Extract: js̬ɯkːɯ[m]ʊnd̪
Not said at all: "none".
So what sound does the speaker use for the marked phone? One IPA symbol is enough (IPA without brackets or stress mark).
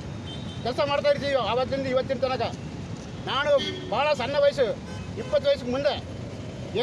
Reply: m